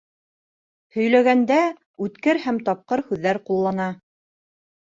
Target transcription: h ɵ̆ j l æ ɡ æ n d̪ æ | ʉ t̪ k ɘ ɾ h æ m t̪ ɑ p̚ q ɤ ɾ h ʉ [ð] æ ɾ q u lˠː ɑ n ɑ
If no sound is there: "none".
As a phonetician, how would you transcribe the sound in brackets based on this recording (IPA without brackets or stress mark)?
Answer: ðː